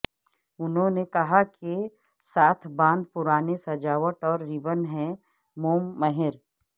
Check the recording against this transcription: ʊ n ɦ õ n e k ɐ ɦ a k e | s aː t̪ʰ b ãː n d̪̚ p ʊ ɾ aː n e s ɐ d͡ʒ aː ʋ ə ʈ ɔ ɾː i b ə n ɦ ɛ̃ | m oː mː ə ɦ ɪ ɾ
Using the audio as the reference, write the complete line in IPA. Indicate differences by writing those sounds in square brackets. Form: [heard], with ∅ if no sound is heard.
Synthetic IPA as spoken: ʊ n ɦ õ n e k ɐ ɦ a k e | s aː t̪ʰ b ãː n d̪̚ p ʊ ɾ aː n e s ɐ d͡ʒ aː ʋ ə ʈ [ɔː] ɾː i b ə n ɦ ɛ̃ | m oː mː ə ɦ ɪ ɾ